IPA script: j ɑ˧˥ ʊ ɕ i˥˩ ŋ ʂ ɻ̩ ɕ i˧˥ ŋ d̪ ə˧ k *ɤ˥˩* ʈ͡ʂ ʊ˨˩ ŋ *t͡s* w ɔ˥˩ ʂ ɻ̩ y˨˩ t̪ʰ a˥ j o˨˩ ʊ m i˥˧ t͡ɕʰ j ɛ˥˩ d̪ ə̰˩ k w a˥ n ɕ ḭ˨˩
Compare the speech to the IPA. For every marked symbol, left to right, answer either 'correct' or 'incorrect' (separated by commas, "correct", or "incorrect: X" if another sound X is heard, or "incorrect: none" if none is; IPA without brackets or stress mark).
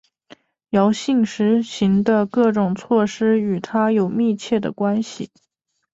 correct, incorrect: t͡sʰ